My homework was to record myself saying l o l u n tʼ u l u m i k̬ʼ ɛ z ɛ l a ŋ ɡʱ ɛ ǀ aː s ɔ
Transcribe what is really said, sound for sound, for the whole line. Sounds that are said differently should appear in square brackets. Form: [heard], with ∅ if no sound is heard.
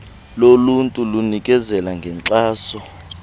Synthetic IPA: l o l u n tʼ u l u [n] i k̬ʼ ɛ z ɛ l a ŋ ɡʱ ɛ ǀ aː s ɔ

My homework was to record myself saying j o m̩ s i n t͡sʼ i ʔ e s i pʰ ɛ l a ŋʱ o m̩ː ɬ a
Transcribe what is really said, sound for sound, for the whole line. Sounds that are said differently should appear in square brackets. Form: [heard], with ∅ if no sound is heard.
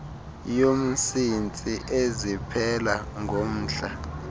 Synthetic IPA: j o m̩ s i n t͡sʼ i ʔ e [z] i pʰ ɛ l a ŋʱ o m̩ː ɬ a

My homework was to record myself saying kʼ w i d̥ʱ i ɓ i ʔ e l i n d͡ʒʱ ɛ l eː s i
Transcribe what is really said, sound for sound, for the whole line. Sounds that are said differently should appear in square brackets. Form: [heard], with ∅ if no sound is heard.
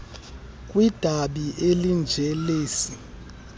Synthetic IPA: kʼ w i d̥ʱ [a] ɓ i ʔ e l i n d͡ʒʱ ɛ l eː s i

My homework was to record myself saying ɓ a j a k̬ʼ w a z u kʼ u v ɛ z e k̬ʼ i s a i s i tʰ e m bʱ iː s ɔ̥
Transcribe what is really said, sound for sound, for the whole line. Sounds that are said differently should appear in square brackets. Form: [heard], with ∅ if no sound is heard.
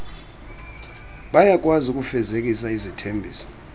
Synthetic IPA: ɓ a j a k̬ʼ w a z u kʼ u [f] ɛ z e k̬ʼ i s a i [z] i tʰ e m bʱ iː s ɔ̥

